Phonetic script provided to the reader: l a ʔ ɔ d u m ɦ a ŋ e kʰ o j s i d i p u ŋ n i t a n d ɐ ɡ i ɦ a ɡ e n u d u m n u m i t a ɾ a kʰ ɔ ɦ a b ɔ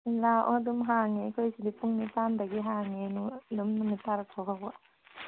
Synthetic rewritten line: l a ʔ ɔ d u m ɦ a ŋ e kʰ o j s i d i p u ŋ n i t a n d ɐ ɡ i ɦ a ŋ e n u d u m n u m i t a ɾ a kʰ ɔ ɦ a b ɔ